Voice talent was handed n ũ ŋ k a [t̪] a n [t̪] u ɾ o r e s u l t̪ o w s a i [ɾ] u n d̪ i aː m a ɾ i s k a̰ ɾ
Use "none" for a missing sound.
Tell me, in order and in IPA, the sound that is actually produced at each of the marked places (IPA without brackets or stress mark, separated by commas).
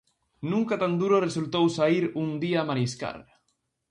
t̪, d̪, ɾ